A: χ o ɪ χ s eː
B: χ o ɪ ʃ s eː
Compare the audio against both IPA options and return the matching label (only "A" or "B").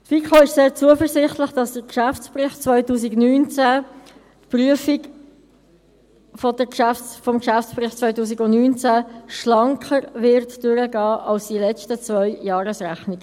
B